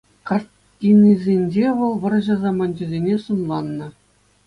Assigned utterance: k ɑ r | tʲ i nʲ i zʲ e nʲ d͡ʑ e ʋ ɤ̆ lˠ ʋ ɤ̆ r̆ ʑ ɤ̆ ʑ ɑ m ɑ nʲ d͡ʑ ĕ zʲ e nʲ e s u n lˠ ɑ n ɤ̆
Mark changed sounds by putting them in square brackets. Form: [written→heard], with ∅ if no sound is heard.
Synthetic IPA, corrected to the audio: k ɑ r | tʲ i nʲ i zʲ e nʲ d͡ʑ e ʋ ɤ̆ lˠ ʋ ɤ̆ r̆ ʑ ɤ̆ [ʑ→z] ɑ m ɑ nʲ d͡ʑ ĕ zʲ e nʲ e s u n lˠ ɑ [n→nː] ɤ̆